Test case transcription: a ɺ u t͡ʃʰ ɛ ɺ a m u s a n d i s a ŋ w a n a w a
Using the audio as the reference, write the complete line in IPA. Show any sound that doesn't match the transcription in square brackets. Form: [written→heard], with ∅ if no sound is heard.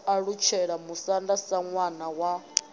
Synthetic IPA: a ɺ u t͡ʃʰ ɛ ɺ a m u s a n d [i→a] s a ŋ w a n a w a